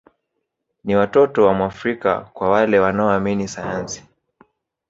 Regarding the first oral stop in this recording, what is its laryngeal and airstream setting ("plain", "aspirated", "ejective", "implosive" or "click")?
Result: plain